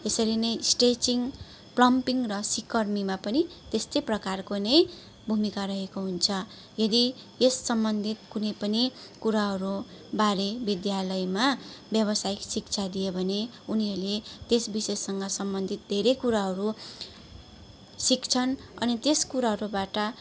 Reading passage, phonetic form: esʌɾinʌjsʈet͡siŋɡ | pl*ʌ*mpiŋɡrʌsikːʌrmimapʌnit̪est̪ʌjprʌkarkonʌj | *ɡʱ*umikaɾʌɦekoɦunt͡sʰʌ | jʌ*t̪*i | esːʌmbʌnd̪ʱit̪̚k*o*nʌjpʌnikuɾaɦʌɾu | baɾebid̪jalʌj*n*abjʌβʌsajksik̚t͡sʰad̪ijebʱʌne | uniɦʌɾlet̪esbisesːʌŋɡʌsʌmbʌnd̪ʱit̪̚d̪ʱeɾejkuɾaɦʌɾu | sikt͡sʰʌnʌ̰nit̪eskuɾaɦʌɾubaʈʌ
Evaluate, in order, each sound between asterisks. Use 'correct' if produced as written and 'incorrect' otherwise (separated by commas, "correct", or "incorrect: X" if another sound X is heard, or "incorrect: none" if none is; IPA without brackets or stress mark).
correct, incorrect: bʱ, incorrect: d̪, incorrect: u, incorrect: m